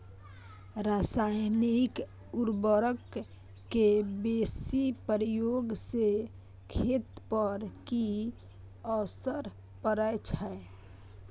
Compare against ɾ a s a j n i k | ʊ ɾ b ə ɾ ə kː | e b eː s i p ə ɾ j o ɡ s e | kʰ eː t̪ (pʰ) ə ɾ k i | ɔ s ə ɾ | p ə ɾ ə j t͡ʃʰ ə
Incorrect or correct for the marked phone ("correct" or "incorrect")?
incorrect